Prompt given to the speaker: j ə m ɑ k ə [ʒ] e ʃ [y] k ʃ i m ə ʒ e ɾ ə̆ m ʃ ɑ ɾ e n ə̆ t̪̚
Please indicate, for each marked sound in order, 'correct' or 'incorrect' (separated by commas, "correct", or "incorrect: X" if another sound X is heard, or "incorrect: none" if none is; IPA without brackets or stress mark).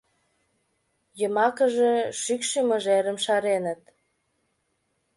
correct, correct